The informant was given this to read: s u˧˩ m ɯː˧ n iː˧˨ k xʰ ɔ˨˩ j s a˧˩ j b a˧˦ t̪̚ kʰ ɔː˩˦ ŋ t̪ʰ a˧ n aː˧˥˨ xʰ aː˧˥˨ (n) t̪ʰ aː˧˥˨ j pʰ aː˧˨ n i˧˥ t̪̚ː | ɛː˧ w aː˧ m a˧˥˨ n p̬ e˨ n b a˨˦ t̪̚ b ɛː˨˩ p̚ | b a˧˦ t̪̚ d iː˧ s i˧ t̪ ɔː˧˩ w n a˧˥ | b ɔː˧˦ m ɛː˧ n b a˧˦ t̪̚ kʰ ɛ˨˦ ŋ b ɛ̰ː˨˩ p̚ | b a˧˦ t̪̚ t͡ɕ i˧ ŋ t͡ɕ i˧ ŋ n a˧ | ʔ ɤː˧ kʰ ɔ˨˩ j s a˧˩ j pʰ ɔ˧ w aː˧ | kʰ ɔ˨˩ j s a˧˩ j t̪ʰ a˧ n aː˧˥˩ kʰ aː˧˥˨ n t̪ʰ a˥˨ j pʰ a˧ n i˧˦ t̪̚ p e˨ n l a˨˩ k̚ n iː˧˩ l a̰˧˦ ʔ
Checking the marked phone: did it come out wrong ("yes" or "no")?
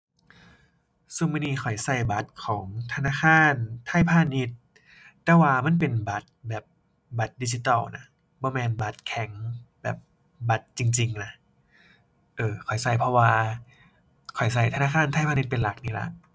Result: no